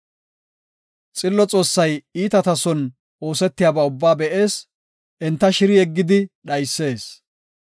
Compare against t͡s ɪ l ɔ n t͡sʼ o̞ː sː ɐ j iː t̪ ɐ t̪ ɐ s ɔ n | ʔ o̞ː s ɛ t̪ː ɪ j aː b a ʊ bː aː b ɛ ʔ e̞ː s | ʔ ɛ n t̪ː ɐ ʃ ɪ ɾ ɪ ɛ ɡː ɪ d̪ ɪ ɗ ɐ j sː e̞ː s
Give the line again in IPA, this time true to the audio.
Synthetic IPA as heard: t͡sʼ ɪ lː ɔ t͡sʼ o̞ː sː ɐ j iː t̪ ɐ t̪ ɐ s ɔ n | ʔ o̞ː s ɛ t̪ː ɪ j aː b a ʊ bː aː b ɛ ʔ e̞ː s | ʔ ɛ n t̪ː ɐ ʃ ɪ ɾ ɪ ɛ ɡː ɪ d̪ ɪ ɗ ɐ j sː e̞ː s